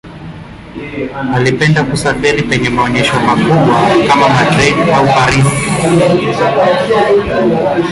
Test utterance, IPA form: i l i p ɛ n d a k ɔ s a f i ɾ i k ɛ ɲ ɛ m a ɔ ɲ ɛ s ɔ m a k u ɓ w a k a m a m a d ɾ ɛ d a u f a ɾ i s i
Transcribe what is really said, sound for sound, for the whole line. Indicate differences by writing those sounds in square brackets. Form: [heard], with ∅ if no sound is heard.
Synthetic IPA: [a] l i p ɛ n d a k [u] s a f i ɾ i [p] ɛ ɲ ɛ m a ɔ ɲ ɛ [ʃ] ɔ m a k u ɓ w a k a m a m a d ɾ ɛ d a u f a ɾ i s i